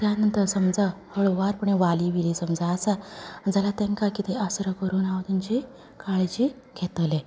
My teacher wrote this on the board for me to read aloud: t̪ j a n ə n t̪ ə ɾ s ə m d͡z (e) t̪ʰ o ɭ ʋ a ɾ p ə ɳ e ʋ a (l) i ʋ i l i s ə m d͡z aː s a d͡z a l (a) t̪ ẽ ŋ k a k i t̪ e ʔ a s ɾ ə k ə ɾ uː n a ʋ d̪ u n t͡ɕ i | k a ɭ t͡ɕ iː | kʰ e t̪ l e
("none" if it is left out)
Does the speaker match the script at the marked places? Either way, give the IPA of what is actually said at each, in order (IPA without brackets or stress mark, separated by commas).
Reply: a, l, a